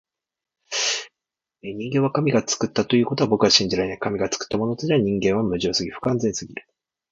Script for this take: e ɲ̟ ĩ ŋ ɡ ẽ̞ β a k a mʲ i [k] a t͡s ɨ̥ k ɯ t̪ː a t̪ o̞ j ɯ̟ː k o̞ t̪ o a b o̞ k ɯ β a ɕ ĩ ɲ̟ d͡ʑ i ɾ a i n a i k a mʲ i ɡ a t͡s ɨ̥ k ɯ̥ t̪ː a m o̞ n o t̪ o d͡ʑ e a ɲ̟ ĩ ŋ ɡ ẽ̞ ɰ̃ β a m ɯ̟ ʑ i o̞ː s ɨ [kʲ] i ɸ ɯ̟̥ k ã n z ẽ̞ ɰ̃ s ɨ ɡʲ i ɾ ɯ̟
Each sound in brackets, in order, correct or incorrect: incorrect: ɡ, incorrect: ɡʲ

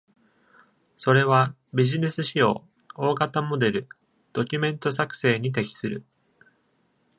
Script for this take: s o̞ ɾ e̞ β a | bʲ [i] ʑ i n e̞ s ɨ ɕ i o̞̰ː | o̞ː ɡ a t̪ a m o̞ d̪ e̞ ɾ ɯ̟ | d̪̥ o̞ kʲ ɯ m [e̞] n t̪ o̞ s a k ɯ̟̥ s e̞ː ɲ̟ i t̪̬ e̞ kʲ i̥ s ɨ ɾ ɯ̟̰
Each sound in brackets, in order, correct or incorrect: correct, incorrect: ẽ̞

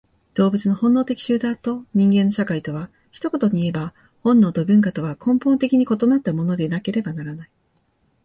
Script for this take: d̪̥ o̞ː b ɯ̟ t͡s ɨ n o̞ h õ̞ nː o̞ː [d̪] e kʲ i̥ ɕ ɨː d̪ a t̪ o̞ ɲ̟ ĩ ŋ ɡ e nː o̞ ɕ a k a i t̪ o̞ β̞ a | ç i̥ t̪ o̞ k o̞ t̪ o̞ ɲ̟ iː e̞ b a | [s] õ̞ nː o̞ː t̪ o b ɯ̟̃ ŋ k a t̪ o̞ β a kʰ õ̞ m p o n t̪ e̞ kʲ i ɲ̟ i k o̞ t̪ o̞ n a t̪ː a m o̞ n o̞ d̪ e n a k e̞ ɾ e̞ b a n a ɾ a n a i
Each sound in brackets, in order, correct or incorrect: incorrect: t̪, incorrect: h

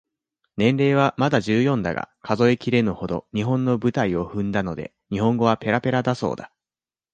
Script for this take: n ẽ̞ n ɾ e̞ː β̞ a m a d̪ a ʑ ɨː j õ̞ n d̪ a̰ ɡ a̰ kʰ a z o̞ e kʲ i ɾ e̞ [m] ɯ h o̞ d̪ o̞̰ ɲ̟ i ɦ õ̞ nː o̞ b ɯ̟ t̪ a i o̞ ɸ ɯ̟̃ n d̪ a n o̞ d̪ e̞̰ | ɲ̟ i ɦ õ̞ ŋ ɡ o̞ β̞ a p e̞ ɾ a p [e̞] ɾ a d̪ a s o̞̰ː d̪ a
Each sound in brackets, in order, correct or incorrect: incorrect: n, correct

